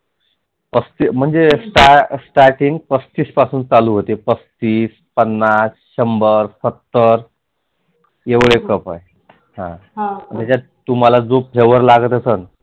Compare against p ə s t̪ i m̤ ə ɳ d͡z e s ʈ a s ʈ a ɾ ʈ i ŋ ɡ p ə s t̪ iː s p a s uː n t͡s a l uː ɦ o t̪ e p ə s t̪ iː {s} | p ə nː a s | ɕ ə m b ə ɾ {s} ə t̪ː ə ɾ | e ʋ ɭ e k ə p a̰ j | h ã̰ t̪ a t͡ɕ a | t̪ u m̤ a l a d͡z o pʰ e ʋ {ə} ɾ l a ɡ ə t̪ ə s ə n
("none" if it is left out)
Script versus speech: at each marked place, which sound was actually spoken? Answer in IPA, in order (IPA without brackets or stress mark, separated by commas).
s, s, ə